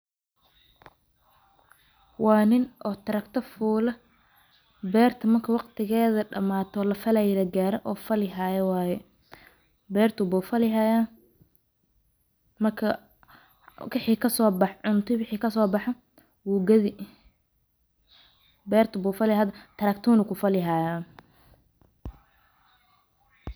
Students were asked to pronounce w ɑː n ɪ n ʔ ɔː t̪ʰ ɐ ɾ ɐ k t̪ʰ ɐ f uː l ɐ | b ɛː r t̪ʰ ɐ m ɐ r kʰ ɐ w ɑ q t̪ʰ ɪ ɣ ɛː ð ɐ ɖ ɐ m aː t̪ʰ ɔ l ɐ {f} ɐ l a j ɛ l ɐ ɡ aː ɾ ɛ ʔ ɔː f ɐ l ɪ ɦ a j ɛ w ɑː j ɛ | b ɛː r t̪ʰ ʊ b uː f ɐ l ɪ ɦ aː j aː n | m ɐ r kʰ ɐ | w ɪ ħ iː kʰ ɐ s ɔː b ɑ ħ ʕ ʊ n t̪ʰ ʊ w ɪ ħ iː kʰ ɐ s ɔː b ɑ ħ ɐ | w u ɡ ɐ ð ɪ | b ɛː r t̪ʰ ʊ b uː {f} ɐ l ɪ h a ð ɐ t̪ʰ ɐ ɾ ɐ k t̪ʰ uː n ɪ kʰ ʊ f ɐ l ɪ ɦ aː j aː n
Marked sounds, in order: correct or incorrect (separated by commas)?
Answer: correct, correct